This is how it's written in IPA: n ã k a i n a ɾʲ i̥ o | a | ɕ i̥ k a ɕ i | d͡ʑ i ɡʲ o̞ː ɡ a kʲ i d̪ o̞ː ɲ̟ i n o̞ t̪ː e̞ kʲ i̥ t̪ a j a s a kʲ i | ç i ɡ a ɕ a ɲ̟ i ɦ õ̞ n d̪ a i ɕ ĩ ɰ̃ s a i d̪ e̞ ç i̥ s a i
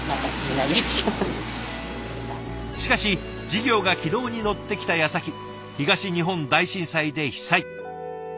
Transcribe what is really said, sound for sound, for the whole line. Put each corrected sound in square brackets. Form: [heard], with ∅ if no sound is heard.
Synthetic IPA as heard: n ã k a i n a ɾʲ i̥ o | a | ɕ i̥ k a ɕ i | d͡ʑ i ɡʲ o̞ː ɡ a kʲ i d̪ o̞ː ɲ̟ i n o̞ t̪ː e̞ kʲ i̥ t̪ a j a s a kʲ i | ç i ɡ a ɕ [i] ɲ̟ i ɦ õ̞ n d̪ a i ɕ ĩ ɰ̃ s a i d̪ e̞ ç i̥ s a i

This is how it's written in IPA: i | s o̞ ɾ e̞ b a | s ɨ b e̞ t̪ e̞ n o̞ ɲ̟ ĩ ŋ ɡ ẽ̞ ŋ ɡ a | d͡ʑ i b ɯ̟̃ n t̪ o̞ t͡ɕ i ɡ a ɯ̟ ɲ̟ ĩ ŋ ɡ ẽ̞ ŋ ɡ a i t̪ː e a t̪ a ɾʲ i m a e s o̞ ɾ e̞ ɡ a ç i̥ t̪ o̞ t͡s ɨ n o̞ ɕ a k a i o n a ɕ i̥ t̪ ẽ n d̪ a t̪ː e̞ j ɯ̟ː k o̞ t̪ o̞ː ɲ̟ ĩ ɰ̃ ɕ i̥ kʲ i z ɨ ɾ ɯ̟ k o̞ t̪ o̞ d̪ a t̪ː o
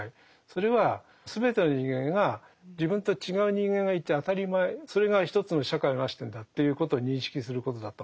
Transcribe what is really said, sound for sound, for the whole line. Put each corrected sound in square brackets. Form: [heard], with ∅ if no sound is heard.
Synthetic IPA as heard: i | s o̞ ɾ e̞ [β] a | s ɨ b e̞ t̪ e̞ n o̞ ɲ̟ ĩ ŋ ɡ ẽ̞ ŋ ɡ a | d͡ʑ i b ɯ̟̃ n t̪ o̞ t͡ɕ i ɡ a ɯ̟ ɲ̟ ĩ ŋ ɡ ẽ̞ ŋ ɡ a i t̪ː e a t̪ a ɾʲ i m a e s o̞ ɾ e̞ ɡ a ç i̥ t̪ o̞ t͡s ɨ n o̞ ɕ a k a i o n a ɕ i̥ t̪ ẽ n d̪ a t̪ː e̞ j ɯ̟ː k o̞ t̪ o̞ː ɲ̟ ĩ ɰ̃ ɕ i̥ kʲ i [s] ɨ ɾ ɯ̟ k o̞ t̪ o̞ d̪ a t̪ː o

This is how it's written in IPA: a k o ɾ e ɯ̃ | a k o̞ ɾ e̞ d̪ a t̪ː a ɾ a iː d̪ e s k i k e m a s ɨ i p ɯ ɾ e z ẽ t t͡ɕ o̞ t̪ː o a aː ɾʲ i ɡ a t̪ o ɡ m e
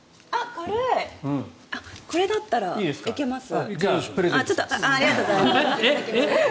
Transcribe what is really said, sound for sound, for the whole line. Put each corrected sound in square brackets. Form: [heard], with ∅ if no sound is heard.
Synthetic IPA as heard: a k o ɾ e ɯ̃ | a k o̞ ɾ e̞ d̪ a t̪ː a ɾ a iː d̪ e s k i k e m a s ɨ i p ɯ ɾ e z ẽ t t͡ɕ o̞ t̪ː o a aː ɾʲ i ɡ a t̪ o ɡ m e

